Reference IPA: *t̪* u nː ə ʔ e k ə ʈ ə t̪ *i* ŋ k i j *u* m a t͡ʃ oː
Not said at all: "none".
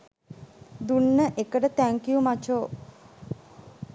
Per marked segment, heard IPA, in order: d̪, æ, u

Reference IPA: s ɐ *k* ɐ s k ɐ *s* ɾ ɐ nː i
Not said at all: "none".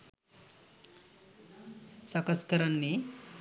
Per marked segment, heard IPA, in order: k, none

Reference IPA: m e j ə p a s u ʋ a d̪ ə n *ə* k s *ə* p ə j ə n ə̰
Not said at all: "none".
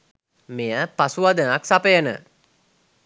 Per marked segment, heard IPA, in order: a, a

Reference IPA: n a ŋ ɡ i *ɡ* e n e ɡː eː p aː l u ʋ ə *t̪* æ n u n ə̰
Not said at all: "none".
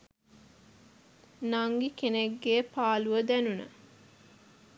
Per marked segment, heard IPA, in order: k, d̪

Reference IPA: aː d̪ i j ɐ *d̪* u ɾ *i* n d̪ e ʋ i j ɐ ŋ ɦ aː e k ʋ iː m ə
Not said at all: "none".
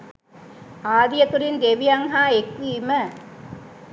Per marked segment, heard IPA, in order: t̪, i

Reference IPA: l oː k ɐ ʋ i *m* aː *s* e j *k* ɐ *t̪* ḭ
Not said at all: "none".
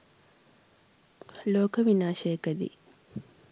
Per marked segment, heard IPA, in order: n, ʃ, k, d̪

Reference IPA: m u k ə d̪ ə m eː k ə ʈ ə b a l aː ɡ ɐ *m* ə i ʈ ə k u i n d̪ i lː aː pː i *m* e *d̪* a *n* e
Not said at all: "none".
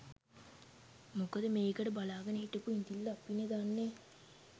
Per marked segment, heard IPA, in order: n, n, d̪, nː

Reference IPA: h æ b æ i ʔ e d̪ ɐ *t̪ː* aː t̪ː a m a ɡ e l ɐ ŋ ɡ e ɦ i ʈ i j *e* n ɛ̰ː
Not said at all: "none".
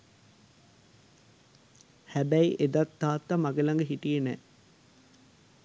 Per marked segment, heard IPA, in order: t̪ː, e

